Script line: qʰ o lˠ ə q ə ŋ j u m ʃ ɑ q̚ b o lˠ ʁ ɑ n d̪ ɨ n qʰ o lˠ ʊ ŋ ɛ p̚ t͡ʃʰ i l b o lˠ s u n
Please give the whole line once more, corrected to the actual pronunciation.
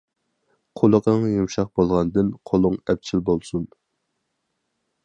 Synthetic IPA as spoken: qʰ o lˠ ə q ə ŋ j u m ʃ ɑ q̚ b o lˠ ʁ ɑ n d̪ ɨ n qʰ o lˠ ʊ ŋ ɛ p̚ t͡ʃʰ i l b o lˠ s u n